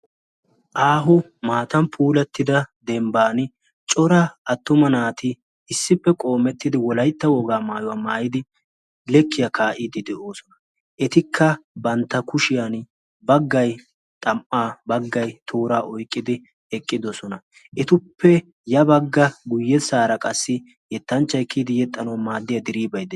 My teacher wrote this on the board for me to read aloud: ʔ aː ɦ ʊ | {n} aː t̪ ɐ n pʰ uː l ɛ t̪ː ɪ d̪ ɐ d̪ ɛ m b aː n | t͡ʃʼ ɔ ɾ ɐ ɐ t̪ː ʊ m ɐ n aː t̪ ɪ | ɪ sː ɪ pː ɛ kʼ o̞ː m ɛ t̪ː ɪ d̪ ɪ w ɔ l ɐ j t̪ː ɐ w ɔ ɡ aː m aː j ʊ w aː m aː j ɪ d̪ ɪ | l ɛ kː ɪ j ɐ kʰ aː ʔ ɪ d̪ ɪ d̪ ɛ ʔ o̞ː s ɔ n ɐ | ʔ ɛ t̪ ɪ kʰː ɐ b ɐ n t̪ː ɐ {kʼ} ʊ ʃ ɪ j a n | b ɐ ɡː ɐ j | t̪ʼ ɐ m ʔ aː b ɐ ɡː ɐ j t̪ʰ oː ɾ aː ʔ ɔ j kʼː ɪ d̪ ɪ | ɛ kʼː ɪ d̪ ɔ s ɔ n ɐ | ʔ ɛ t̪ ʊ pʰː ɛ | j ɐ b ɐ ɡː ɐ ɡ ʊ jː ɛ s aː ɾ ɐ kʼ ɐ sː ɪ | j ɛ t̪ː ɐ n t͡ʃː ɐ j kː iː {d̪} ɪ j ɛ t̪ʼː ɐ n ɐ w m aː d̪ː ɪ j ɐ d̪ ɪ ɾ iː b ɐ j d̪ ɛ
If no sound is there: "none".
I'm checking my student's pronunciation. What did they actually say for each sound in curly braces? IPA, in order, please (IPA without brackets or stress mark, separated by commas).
m, k, d̪